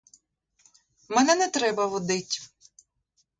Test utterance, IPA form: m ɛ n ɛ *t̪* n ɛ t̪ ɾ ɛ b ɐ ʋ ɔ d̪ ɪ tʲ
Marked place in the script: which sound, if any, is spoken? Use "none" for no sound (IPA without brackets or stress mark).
none